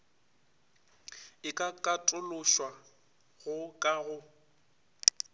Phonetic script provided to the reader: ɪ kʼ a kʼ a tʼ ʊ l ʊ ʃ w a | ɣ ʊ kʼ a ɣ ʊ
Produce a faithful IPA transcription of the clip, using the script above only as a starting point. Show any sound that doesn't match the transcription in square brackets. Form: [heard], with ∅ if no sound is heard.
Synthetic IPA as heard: ɪ kʼ a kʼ a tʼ ʊ l ʊ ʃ w a | ɣ ʊ kʼ a ɣ ʊ